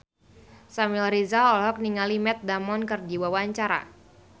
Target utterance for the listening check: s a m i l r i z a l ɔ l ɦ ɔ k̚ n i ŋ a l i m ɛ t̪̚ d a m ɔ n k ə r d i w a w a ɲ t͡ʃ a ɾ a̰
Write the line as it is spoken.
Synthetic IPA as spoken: s a m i l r i z a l ɔ l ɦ ɔ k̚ n i ŋ a l i m ɛ t̪̚ d a m ɔ n k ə r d i w a w a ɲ t͡ʃ a ɾ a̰